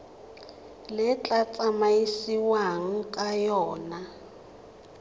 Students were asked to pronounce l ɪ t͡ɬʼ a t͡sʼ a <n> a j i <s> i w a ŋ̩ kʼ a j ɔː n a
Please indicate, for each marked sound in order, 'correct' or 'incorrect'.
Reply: incorrect, correct

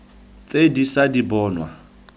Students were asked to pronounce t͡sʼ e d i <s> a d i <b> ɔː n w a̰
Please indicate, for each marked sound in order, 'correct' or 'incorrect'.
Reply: correct, correct

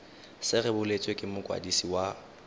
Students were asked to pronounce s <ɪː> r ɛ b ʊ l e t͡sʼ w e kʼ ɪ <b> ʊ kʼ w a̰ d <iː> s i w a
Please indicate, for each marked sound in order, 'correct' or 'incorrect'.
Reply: incorrect, incorrect, incorrect

